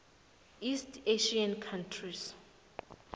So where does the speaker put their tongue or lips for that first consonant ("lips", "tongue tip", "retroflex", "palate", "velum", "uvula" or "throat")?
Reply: tongue tip